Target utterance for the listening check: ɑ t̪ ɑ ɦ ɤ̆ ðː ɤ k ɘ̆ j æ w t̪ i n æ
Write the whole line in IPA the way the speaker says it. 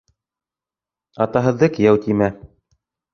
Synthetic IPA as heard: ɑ t̪ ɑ ɦ ɤ̆ ðː ɤ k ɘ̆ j æ w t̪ i m æ